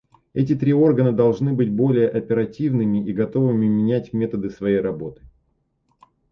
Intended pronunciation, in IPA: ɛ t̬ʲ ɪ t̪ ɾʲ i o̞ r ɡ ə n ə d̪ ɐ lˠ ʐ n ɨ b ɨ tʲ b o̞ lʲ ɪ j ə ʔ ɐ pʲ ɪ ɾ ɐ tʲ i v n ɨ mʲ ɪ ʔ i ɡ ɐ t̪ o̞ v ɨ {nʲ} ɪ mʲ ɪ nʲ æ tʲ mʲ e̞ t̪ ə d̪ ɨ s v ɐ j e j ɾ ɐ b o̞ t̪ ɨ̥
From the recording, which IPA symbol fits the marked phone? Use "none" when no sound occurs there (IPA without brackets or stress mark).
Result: mʲ